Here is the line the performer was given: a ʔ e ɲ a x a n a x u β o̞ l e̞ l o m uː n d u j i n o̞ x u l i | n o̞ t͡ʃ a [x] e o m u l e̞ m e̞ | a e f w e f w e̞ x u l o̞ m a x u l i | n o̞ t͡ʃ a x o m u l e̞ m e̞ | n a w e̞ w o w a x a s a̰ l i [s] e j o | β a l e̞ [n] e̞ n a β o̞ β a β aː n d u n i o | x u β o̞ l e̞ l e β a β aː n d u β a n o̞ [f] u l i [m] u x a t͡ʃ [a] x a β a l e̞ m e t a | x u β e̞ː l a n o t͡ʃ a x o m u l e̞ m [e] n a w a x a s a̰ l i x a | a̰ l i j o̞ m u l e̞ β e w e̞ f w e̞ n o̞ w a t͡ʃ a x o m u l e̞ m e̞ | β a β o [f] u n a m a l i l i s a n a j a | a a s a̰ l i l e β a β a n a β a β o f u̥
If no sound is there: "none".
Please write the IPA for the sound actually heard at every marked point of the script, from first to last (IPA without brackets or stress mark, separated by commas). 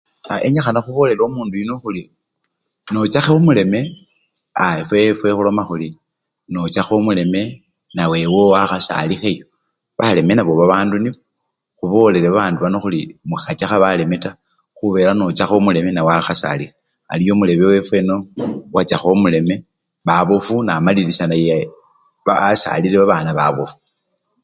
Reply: x, x, m, x, m, a, e, f